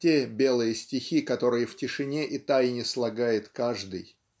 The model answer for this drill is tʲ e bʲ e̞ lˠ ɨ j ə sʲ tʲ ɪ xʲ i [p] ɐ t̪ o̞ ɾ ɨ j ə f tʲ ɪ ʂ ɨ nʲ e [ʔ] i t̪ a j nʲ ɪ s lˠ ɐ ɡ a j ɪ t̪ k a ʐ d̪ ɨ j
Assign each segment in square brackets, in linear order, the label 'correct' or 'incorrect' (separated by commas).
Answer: incorrect, correct